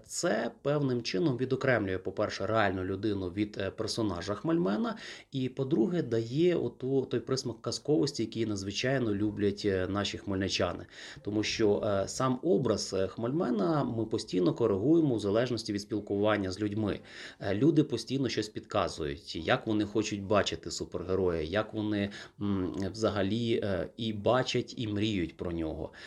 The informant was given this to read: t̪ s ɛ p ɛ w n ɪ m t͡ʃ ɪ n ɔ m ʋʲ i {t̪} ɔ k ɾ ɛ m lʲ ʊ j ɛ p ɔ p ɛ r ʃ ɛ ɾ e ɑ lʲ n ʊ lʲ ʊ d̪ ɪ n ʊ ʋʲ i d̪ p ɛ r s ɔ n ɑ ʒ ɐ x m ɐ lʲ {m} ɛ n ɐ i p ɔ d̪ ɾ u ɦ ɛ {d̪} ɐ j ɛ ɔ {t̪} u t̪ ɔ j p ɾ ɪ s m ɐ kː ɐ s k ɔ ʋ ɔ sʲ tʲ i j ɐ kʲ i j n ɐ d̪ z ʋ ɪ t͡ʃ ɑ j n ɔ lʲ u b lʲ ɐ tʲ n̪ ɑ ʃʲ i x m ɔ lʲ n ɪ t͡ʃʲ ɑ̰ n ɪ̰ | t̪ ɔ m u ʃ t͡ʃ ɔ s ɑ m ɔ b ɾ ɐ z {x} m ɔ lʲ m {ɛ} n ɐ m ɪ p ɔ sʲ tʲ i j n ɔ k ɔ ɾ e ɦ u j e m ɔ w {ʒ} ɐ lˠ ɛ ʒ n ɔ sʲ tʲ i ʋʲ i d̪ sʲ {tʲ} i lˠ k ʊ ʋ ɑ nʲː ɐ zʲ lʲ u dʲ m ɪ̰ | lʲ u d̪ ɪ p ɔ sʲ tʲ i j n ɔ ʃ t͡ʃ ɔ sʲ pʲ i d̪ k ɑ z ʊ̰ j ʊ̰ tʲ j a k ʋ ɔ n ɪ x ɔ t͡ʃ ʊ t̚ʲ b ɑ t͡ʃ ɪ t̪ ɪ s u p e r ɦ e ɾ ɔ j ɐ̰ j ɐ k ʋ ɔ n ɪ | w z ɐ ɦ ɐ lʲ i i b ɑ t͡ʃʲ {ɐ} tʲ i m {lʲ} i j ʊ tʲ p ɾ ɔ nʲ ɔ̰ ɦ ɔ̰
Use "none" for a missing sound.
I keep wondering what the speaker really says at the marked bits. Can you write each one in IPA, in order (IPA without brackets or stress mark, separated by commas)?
d̪, m, d̪, t̪, x, ɛ, z, pʲ, ɐ, ɾʲ